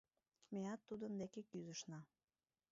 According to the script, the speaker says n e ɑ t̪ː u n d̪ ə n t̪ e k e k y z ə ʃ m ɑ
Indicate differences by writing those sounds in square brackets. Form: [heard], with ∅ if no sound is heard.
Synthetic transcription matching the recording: [m] e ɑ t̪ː u [∅] d̪ ə n [d̪] e k e k y z ə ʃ [n] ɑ

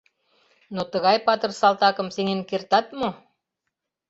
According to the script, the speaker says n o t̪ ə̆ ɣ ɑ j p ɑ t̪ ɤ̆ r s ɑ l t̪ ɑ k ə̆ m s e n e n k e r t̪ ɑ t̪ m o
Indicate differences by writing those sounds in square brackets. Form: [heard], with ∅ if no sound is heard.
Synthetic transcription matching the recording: n o t̪ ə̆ ɣ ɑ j p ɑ t̪ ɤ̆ r s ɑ l t̪ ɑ k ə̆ m s e [ŋ] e n k e r t̪ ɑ t̪ m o

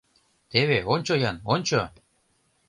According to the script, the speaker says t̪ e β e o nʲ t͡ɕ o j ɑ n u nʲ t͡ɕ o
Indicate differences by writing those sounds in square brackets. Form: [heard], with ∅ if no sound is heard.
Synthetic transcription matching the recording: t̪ e β e o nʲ t͡ɕ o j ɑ n [o] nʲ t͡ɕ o

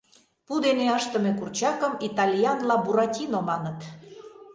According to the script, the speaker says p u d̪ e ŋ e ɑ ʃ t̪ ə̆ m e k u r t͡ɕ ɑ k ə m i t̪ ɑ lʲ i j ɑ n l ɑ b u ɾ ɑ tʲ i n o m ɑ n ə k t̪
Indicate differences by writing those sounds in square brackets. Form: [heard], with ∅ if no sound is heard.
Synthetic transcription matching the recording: p u d̪ e [n] e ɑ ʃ t̪ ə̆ m e k u r t͡ɕ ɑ k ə m i t̪ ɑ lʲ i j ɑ n l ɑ b u ɾ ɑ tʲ i n o m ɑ n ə [∅] t̪

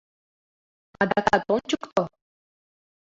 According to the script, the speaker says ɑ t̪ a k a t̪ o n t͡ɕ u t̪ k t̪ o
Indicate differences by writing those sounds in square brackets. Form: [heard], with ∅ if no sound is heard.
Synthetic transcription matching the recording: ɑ [d̪] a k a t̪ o n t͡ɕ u [∅] k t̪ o

